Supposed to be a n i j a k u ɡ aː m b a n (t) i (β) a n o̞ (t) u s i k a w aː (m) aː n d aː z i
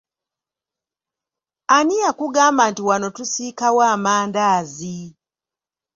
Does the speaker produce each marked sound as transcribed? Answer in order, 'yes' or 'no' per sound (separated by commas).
yes, no, yes, yes